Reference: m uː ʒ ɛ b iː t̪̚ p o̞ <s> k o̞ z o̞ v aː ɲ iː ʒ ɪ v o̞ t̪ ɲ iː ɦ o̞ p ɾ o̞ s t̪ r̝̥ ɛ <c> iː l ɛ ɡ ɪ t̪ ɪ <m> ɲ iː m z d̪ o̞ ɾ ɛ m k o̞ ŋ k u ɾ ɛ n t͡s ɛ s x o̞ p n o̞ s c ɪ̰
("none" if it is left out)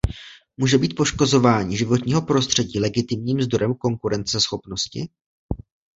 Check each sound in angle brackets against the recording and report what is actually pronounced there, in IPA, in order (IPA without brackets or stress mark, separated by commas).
ʃ, ɟ, m